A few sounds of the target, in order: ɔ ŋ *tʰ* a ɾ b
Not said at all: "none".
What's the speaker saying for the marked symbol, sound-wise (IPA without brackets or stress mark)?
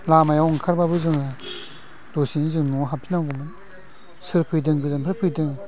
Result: kʰ